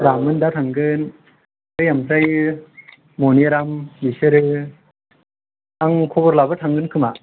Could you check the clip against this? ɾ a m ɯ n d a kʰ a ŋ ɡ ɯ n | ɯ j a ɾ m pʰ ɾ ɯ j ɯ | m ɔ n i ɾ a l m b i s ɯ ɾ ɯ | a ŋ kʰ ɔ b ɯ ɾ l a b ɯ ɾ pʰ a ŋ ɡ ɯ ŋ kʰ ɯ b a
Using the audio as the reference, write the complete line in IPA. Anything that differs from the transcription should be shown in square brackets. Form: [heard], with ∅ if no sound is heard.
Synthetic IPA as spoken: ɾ a m ɯ n d a [tʰ] a ŋ ɡ ɯ n | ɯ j a [∅] m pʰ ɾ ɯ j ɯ | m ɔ n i ɾ a [∅] m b i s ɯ ɾ ɯ | a ŋ kʰ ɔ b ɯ ɾ l a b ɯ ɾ [tʰ] a ŋ ɡ ɯ [n] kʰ ɯ [m] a